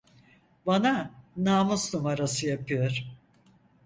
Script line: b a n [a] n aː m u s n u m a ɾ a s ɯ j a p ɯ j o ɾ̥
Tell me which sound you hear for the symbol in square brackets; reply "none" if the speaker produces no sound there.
a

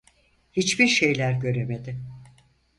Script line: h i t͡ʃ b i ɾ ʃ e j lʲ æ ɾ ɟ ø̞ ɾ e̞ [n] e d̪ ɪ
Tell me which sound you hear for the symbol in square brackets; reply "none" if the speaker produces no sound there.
m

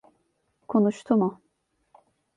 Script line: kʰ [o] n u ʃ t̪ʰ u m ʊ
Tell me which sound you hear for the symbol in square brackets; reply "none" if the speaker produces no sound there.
o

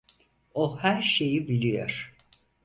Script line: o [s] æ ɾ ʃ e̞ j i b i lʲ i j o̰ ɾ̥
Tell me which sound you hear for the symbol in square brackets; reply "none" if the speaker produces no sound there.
h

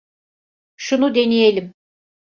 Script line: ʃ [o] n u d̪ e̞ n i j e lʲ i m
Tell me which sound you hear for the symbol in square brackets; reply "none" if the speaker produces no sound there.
u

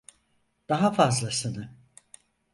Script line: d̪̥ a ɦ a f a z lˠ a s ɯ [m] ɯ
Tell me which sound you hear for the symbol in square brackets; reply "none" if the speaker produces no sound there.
n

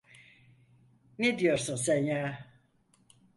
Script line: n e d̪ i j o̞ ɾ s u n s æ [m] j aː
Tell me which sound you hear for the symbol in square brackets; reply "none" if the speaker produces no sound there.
n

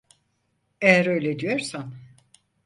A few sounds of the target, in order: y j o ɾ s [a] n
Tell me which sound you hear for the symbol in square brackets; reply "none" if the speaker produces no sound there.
a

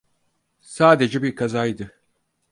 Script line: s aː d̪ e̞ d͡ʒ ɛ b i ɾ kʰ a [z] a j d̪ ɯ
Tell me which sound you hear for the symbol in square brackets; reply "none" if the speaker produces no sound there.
z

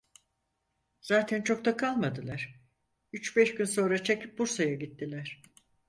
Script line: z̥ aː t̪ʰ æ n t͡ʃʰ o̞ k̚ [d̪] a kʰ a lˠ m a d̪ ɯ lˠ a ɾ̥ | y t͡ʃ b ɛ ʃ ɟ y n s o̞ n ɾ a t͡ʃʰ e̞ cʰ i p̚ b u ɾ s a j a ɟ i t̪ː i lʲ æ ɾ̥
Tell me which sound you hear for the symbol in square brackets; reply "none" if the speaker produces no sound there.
t̪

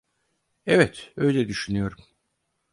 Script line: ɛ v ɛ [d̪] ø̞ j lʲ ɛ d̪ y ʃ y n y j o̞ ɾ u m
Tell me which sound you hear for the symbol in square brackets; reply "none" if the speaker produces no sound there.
t̪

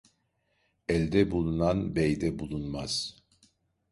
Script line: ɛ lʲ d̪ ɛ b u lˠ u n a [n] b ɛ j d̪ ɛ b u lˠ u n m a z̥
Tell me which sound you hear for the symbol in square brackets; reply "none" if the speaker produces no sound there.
n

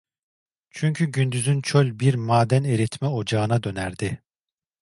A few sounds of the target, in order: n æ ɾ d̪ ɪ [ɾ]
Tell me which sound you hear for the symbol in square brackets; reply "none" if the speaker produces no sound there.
none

